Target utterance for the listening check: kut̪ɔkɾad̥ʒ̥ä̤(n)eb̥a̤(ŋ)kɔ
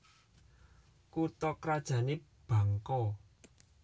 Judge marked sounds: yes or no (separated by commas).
yes, yes